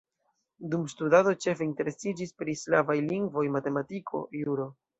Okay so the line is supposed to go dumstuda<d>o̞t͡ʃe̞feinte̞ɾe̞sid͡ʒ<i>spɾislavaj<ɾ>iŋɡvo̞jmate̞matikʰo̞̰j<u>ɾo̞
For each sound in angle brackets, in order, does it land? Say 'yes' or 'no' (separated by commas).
yes, yes, no, yes